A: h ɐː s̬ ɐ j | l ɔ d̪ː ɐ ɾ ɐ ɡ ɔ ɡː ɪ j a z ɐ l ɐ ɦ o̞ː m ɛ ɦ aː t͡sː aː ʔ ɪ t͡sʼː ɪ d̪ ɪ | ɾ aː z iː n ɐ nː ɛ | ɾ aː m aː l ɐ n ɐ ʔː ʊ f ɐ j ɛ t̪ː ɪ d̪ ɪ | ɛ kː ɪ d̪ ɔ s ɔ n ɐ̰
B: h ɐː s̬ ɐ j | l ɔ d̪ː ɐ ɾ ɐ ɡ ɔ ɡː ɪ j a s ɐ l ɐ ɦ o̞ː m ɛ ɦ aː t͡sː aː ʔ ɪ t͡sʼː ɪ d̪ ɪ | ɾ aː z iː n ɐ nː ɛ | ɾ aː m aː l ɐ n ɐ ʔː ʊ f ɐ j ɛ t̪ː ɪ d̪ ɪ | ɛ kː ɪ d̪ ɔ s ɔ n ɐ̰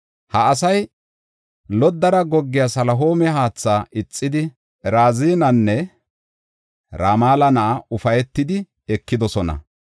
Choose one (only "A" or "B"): B